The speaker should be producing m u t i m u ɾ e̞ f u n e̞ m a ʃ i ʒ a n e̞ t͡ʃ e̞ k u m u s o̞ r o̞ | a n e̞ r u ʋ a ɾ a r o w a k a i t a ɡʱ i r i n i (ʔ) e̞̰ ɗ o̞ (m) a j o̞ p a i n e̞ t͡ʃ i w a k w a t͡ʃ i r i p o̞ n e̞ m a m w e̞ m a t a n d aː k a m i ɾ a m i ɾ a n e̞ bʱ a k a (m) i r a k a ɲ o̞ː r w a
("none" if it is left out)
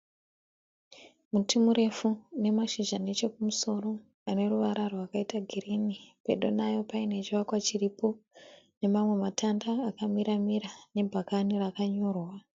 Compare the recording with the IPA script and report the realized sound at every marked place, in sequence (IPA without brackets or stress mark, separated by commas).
p, n, n